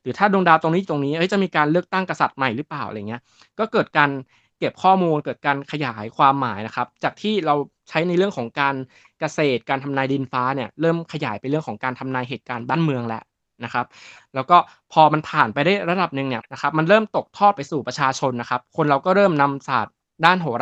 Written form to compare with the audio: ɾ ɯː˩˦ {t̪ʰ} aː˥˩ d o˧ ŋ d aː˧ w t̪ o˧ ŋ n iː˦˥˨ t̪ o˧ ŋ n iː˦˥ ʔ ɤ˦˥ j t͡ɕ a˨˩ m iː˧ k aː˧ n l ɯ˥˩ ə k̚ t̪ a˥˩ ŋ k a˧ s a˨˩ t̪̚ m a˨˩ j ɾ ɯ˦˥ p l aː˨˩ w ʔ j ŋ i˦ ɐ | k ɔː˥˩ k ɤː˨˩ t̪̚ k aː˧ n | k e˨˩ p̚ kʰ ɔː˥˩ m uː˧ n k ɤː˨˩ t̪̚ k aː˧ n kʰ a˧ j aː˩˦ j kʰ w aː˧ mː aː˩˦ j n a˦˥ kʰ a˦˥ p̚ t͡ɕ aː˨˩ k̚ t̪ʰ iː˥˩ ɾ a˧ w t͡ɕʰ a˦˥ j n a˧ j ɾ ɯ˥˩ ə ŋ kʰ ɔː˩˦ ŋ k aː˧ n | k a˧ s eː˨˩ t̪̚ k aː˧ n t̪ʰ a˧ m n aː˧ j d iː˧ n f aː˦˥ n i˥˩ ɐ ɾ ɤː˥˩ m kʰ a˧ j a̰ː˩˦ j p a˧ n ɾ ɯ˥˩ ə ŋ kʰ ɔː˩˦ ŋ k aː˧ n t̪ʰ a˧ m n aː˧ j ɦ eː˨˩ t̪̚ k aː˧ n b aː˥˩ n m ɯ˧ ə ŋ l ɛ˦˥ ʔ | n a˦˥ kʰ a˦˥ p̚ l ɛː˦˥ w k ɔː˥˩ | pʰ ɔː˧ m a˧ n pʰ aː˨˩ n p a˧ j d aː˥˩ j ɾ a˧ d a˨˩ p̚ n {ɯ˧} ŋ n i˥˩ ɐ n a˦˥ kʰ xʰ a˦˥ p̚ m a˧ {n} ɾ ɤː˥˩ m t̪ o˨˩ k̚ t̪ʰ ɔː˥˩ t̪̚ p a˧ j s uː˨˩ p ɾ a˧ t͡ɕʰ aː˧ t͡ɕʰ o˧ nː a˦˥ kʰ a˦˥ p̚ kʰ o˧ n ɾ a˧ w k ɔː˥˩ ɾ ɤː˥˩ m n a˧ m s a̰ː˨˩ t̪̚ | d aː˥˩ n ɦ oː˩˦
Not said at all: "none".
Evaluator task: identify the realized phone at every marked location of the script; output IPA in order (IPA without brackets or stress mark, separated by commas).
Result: t̪ʰ, ɯ˨˩, n